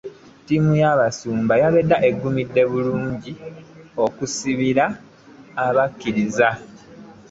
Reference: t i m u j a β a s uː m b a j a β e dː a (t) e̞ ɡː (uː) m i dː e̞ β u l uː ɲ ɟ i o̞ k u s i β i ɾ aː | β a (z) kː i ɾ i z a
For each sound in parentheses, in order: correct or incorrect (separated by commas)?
incorrect, incorrect, incorrect